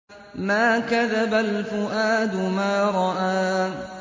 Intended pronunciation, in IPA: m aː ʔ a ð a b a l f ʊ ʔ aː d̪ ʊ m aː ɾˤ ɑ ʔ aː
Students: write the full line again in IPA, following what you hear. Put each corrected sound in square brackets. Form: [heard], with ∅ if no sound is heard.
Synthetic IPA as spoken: m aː [k] a ð a b a l f ʊ ʔ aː d̪ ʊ m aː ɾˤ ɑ ʔ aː